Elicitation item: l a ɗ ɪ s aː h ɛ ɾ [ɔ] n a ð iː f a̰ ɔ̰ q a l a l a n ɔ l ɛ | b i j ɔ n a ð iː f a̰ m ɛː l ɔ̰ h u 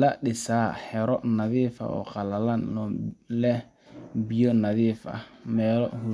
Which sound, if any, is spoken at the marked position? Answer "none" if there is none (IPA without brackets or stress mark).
ɔ